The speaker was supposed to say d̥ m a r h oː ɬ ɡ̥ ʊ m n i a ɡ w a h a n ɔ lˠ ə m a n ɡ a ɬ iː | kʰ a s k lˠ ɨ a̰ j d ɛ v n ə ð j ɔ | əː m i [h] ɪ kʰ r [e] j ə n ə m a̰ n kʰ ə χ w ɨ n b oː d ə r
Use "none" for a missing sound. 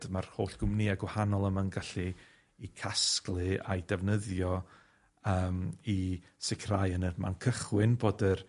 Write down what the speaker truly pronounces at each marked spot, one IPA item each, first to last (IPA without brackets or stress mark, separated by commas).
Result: s, a